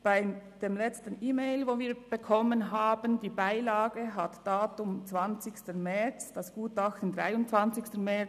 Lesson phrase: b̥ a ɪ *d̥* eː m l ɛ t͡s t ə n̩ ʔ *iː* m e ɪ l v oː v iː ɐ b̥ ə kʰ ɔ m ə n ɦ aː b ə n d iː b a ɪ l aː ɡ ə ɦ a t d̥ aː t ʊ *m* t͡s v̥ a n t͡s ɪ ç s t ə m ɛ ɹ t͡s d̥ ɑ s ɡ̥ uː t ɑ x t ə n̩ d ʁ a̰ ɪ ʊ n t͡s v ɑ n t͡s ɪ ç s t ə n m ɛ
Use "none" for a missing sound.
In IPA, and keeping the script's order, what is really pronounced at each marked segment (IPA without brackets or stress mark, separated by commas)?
d̥, iː, m